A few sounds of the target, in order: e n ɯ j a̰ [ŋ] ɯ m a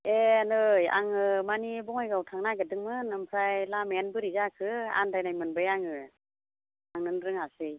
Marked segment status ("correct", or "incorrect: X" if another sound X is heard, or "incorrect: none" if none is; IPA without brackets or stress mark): correct